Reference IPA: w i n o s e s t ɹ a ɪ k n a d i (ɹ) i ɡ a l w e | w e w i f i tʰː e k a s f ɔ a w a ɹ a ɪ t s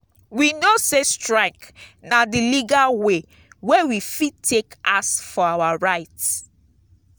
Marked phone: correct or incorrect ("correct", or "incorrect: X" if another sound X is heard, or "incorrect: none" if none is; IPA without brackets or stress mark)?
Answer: incorrect: l